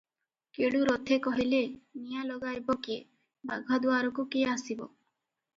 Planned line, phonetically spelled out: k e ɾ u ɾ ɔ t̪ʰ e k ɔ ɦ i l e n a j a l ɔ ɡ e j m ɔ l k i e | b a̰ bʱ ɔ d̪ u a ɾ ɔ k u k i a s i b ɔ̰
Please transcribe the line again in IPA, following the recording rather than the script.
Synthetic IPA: k e ɽ u ɾ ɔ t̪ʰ e k ɔ ɦ i l e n i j a l ɔ ɡ a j b ɔ k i e | b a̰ ɡʱ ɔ d̪ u a ɾ ɔ k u k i a s i b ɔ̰